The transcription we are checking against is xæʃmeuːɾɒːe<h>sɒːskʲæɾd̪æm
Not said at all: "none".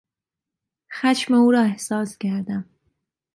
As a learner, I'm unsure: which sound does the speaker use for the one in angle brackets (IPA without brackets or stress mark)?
h